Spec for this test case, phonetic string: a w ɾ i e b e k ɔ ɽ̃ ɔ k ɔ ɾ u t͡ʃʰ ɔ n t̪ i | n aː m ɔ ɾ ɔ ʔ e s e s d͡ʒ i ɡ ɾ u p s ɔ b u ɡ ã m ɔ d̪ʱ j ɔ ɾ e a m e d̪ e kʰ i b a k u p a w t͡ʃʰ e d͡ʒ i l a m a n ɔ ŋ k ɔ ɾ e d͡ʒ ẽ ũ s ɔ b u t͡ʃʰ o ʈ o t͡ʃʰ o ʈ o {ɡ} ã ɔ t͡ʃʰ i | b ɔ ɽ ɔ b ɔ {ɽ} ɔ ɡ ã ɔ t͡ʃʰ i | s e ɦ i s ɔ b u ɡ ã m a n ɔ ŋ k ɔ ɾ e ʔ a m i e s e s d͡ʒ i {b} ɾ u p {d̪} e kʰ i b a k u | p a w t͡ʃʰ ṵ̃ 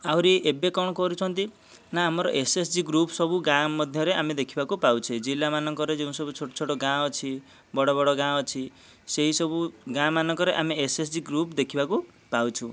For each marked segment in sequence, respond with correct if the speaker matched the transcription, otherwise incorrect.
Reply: correct, correct, incorrect, correct

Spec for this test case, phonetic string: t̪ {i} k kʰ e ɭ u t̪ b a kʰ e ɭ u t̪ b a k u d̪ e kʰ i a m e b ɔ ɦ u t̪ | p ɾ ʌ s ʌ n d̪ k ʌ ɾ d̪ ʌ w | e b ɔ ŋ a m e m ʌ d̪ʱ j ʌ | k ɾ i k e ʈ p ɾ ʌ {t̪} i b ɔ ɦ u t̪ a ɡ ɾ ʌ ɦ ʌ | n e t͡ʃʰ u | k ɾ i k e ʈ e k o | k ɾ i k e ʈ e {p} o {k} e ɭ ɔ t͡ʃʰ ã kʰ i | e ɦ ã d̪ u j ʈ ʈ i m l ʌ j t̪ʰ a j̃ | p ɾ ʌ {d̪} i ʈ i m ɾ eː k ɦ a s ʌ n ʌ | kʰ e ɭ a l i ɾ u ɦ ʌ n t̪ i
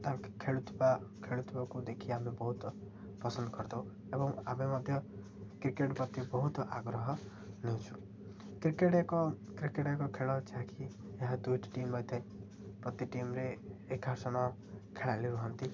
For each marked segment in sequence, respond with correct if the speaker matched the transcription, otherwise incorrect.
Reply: incorrect, correct, incorrect, incorrect, incorrect

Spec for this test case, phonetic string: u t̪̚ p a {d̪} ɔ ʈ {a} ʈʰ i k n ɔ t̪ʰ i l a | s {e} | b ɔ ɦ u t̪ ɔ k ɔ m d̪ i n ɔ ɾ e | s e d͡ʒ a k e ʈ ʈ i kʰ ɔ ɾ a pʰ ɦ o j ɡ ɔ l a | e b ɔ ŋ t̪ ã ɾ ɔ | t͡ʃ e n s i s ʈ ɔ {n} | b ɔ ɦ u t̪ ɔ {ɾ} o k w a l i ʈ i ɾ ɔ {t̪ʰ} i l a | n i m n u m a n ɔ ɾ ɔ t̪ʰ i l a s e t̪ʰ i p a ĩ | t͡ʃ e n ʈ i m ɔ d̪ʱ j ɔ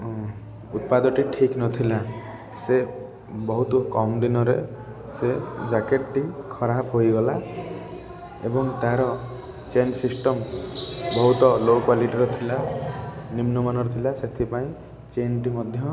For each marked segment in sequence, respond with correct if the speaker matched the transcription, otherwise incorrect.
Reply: correct, incorrect, correct, incorrect, incorrect, correct

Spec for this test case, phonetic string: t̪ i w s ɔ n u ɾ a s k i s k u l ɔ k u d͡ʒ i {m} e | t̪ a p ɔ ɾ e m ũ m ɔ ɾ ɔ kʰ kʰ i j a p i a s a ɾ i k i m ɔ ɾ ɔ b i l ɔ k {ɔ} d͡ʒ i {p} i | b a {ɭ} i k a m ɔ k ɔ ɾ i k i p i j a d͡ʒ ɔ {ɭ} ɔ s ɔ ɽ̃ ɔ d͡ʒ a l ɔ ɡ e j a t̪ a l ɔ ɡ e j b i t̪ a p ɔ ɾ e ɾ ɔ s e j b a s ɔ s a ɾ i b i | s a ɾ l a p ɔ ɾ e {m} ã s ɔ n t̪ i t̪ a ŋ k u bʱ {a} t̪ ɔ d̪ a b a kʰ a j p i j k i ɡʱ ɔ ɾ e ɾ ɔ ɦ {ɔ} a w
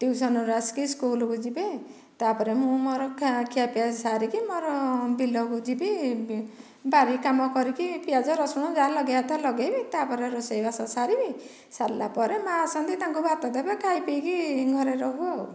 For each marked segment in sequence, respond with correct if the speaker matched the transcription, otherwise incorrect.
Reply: incorrect, incorrect, incorrect, incorrect, incorrect, correct, correct, incorrect

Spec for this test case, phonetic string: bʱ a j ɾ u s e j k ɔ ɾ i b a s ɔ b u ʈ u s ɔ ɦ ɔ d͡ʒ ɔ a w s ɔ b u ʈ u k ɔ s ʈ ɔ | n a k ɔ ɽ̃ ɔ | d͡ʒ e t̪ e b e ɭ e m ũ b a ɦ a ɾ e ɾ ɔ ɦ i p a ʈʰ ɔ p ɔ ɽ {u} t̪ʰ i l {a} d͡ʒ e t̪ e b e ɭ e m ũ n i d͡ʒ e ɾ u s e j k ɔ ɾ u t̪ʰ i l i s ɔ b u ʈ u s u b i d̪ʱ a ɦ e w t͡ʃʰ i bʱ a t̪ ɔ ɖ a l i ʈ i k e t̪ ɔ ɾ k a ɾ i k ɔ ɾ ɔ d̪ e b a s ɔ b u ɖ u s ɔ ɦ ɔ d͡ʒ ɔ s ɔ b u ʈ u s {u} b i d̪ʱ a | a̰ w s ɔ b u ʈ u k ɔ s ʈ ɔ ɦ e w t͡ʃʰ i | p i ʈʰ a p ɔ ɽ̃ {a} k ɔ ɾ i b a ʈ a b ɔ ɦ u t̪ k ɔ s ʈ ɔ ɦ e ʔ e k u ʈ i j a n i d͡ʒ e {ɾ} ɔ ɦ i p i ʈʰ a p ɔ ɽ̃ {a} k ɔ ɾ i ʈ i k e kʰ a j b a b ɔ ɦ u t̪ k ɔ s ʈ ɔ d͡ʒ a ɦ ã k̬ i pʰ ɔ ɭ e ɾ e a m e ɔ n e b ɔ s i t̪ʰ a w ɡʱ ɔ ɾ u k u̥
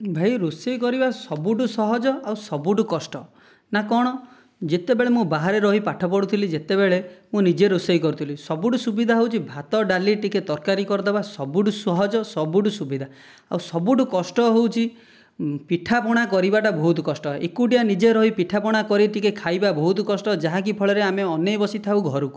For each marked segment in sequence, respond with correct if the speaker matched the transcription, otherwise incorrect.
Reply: correct, incorrect, correct, correct, correct, correct

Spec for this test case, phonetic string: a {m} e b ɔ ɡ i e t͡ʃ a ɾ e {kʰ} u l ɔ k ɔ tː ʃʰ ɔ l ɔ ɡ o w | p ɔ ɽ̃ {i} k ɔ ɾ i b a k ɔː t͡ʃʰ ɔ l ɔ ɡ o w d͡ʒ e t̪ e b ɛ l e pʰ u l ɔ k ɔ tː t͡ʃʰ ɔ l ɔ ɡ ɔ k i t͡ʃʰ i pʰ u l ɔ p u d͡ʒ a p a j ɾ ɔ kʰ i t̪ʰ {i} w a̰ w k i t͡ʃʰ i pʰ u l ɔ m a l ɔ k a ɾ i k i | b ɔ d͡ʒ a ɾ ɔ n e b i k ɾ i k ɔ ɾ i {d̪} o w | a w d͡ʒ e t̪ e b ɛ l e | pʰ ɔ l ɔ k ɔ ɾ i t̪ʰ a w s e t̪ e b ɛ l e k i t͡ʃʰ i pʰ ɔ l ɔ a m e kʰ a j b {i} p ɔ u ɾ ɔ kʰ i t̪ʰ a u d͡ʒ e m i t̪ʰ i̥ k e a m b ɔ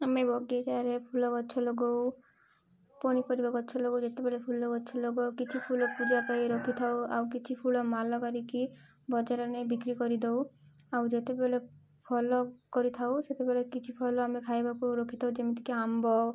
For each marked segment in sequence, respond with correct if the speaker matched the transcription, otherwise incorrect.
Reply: correct, incorrect, correct, incorrect, correct, incorrect

